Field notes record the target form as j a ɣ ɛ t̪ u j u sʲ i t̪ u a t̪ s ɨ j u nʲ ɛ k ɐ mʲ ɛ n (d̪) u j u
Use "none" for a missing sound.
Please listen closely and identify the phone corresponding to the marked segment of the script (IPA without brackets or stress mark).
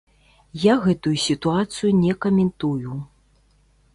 t̪